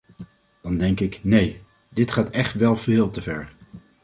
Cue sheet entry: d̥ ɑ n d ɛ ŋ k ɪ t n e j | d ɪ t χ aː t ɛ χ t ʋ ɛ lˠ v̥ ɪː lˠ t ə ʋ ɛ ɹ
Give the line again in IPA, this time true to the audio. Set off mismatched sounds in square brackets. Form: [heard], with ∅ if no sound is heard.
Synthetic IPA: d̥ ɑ n d ɛ ŋ k ɪ [k] n e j | d ɪ t χ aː t ɛ χ t ʋ ɛ lˠ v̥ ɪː lˠ t ə [v] ɛ ɹ

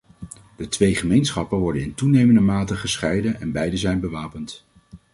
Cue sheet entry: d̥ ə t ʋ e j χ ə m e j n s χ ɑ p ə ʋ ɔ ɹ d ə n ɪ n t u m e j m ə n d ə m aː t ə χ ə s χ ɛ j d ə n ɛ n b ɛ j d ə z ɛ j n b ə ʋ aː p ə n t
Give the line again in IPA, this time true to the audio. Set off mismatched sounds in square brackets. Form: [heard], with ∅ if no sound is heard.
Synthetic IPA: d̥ ə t ʋ e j χ ə m e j n s χ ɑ p ə ʋ ɔ ɹ d ə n ɪ n t u [n] e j m ə n d ə m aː t ə χ ə s χ ɛ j d ə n ɛ n b ɛ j d ə z ɛ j n b ə ʋ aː p ə n t

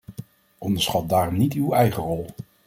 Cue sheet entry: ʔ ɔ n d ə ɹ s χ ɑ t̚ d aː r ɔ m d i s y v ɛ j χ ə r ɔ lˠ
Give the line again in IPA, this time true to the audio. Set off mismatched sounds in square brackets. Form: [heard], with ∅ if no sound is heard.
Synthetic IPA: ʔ ɔ n d ə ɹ s χ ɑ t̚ d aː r ɔ m [n] i [t] y [w] ɛ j χ ə r ɔ lˠ

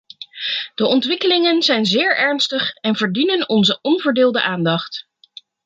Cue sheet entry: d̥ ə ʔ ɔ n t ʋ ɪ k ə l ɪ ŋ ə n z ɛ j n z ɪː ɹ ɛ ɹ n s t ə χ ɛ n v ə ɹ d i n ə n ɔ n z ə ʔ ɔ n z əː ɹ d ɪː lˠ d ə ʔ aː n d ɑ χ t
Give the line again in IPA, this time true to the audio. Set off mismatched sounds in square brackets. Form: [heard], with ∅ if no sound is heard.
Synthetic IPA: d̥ ə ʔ ɔ n t ʋ ɪ k ə l ɪ ŋ ə n z ɛ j n z ɪː ɹ ɛ ɹ n s t ə χ ɛ n v ə ɹ d i n ə n ɔ n z ə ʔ ɔ n [v] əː ɹ d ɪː lˠ d ə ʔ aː n d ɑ χ t

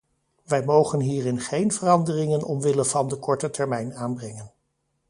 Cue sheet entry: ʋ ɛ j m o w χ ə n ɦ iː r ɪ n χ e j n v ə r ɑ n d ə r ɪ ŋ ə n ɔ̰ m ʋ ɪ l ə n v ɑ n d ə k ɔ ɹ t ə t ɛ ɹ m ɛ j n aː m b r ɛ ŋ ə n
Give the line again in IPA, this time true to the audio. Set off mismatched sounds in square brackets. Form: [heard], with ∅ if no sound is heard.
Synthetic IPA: ʋ ɛ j m o w χ ə n ɦ iː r ɪ n χ e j n v ə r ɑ n d ə r ɪ ŋ ə n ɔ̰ m ʋ ɪ l ə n v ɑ n d ə k ɔ ɹ t ə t ɛ ɹ m ɛ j n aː [n] b r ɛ ŋ ə n

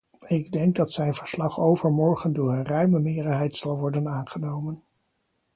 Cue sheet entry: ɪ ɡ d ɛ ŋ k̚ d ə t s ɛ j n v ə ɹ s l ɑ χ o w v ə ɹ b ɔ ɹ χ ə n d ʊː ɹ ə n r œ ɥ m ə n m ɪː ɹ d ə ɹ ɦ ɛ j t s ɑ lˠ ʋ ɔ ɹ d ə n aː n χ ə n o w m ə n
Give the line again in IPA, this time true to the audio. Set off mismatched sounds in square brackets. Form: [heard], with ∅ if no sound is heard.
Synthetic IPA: ɪ ɡ d ɛ ŋ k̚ d [ɑ] t s ɛ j n v ə ɹ s l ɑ χ o w v ə ɹ [m] ɔ ɹ χ ə n d ʊː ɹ ə n r œ ɥ m ə [∅] m ɪː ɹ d ə ɹ ɦ ɛ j t s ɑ lˠ ʋ ɔ ɹ d ə n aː n χ ə n o w m ə n

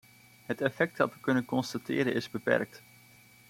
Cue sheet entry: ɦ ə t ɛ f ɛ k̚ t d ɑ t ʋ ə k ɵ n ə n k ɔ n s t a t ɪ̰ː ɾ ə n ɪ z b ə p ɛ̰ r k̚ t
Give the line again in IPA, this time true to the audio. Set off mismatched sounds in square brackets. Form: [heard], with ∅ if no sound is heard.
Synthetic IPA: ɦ ə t ɛ f ɛ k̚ t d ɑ t ʋ ə k ɵ n ə n k ɔ n s t a t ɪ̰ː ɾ ə n ɪ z b ə p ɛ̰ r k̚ t

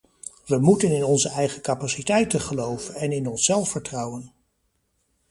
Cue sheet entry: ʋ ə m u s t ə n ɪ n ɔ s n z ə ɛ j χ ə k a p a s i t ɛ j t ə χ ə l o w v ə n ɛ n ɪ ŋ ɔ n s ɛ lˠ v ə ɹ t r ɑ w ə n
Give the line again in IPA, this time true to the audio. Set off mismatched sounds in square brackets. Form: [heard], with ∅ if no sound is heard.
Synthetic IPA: ʋ ə m u [∅] t ə n ɪ n ɔ [∅] n z ə ɛ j χ ə k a p a s i t ɛ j t ə χ ə l o w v ə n ɛ n ɪ [n] ɔ n s ɛ lˠ [f] ə ɹ t r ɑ w ə n

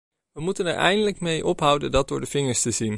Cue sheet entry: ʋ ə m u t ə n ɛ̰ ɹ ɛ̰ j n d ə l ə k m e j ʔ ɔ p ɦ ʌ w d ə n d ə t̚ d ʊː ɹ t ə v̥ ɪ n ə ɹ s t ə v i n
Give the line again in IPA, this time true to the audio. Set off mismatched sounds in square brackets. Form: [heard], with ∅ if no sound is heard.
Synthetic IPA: ʋ ə m u t ə n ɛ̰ ɹ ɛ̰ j n d ə l ə k m e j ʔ ɔ p ɦ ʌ w d ə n d [ɑ] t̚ d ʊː ɹ [d] ə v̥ ɪ [ŋ] ə ɹ s t ə [z] i n

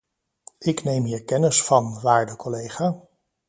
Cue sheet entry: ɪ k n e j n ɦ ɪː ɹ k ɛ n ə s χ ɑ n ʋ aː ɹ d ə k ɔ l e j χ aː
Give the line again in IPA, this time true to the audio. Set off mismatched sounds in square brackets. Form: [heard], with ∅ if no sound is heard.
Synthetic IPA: ɪ k n e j [m] ɦ [iː] ɹ k ɛ n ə s [f] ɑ n ʋ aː ɹ d ə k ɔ l e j χ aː

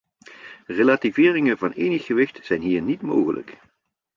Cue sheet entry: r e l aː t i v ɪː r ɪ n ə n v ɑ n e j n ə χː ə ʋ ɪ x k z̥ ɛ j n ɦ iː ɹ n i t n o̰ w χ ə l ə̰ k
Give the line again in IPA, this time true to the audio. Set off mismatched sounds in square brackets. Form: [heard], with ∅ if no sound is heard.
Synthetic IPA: r e l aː t i v ɪː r ɪ [ŋ] ə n v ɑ n e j n ə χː ə ʋ ɪ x [t] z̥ ɛ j n ɦ iː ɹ n i t [m] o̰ w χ ə l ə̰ k

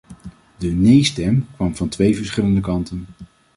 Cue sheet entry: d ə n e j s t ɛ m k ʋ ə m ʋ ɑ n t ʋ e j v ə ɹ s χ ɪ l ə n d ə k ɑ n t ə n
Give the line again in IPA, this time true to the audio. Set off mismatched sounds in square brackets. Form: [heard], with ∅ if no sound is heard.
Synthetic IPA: d ə n e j s t ɛ m k ʋ [ɑ] m [v] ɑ n t ʋ e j v ə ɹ s χ ɪ l ə n d ə k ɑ n t ə n

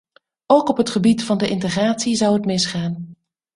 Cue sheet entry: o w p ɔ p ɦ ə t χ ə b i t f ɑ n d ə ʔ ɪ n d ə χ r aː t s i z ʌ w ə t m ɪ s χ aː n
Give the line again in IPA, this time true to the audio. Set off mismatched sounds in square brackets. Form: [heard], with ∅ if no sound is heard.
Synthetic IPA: o w [k] ɔ p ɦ ə t χ ə b i t f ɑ n d ə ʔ ɪ n [t] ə χ r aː t s i z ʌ w ə t m ɪ s χ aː n

